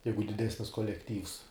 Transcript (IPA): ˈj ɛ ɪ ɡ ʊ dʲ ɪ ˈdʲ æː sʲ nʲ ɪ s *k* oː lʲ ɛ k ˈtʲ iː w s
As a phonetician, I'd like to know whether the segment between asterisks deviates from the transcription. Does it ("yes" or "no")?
no